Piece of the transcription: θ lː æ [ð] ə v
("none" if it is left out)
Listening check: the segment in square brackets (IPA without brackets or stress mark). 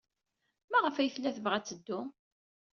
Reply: θ